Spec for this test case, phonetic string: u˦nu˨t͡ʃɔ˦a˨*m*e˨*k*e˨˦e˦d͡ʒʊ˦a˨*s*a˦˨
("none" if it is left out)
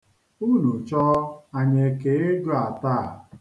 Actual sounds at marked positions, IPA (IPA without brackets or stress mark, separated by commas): ɲ, k, t